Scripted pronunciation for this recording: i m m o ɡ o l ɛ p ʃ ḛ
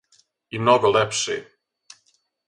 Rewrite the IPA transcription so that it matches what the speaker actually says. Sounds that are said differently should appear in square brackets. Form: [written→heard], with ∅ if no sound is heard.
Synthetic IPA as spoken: i m [m→n] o ɡ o l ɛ p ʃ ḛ